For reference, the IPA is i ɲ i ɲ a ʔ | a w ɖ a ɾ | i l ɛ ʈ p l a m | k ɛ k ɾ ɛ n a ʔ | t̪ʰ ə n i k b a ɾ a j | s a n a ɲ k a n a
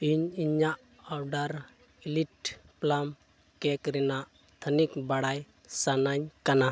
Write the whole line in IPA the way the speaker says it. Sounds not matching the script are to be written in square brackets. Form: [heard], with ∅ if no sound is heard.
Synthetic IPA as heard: i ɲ i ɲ a ʔ | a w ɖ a ɾ | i l [i] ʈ p l a m | k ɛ k ɾ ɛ n a ʔ | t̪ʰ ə n i k b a [ɽ] a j | s a n a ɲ k a n a